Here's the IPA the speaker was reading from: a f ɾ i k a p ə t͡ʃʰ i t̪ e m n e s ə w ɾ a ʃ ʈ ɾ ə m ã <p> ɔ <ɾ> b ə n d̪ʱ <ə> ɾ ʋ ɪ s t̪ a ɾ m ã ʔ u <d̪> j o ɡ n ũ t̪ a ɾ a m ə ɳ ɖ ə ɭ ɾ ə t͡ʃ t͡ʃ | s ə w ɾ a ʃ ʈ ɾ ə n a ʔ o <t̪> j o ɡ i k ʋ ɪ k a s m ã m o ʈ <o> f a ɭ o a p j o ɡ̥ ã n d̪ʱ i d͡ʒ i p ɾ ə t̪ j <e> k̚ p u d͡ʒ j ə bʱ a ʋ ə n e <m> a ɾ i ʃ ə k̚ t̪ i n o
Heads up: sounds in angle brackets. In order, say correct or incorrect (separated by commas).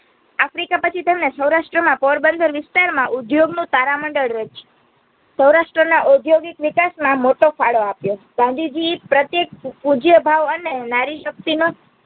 correct, correct, correct, correct, incorrect, correct, correct, incorrect